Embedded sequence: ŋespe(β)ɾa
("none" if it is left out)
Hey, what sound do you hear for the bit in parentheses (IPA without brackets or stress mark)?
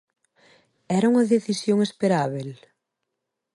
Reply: none